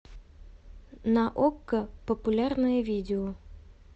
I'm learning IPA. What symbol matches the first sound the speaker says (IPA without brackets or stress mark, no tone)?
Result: n